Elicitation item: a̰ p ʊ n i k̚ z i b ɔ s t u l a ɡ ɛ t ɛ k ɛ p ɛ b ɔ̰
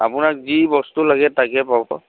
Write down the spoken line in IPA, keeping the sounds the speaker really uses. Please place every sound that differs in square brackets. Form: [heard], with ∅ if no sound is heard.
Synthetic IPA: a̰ p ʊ n [a] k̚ z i b ɔ s t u l a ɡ ɛ t [a] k ɛ p [a] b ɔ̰